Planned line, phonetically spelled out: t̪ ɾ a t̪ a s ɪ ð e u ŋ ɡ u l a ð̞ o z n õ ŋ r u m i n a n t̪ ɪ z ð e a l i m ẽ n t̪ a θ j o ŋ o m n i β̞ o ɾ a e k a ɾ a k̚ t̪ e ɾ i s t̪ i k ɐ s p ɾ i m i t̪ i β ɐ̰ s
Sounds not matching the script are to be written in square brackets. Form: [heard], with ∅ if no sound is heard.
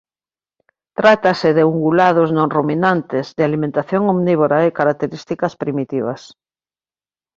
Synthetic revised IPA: t̪ ɾ a t̪ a s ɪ ð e u ŋ ɡ u l a ð̞ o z n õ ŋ r u m i n a n t̪ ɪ z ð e a l i m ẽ n t̪ a θ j o ŋ o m n i β̞ o ɾ a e k a ɾ a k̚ t̪ e ɾ i s t̪ i k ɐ s p ɾ i m i t̪ i β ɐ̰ s